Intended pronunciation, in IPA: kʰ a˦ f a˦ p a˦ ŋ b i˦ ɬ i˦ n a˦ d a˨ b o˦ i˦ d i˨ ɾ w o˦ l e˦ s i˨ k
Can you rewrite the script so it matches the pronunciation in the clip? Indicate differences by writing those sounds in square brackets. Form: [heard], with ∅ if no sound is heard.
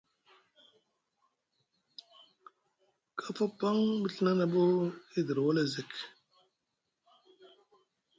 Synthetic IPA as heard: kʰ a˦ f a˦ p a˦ ŋ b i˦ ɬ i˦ n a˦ [n] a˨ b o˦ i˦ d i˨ ɾ w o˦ l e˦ [z] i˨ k